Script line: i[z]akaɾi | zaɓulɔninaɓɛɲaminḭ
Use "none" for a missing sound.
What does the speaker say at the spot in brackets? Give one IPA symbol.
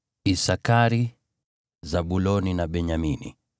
s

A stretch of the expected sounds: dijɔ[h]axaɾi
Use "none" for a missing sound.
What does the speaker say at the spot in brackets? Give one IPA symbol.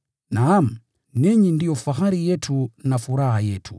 f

